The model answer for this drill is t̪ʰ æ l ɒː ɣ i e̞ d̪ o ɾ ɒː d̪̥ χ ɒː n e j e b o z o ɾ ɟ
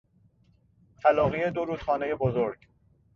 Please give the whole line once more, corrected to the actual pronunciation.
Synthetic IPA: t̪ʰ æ l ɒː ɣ i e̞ d̪ o ɾ uː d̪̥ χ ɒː n e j e b o z o ɾ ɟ